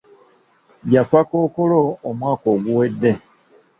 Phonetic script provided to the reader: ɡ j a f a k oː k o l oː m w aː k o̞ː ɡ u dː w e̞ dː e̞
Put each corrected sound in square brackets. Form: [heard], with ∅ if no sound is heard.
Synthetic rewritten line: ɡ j a f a k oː k o l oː m w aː k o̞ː ɡ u [∅] w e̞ dː e̞